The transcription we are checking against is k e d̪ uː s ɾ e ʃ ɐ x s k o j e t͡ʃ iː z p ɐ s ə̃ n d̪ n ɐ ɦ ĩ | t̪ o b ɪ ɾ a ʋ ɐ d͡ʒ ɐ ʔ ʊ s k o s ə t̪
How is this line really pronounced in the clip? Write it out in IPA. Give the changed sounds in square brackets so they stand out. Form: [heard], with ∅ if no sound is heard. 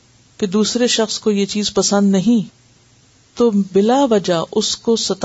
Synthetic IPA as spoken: k e d̪ uː s ɾ e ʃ ɐ x s k o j e t͡ʃ iː z p ɐ s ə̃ n d̪ n ɐ ɦ ĩ | t̪ o b ɪ [l] a ʋ ɐ d͡ʒ [a] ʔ ʊ s k o s [ɐ] t̪